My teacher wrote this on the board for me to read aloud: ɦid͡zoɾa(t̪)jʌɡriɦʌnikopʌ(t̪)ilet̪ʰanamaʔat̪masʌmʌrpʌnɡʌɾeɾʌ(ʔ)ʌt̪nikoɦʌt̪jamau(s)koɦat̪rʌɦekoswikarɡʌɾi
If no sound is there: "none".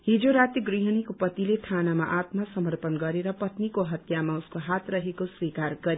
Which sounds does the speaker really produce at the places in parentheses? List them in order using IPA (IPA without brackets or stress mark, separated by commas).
t̪, t̪, p, s